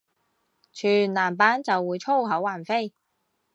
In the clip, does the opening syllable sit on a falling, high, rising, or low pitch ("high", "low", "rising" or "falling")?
low